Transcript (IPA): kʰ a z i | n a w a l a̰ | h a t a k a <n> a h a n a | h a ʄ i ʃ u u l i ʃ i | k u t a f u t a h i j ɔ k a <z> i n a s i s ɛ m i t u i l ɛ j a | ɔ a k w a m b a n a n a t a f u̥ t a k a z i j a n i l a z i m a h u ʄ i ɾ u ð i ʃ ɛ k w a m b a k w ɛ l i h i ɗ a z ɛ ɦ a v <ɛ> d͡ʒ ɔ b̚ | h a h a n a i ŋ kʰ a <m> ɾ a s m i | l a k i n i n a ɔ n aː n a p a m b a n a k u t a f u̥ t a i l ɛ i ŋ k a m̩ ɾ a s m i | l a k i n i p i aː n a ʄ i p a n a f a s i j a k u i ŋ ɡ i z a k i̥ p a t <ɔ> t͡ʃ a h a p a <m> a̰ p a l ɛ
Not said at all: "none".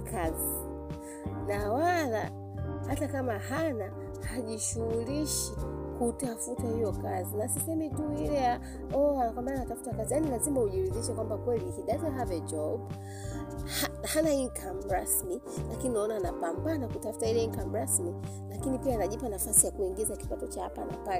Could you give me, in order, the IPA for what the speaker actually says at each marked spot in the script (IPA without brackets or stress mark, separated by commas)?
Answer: m, z, ɛ, m, ɔ, n